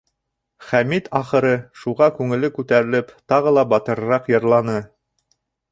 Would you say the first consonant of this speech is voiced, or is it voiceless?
voiceless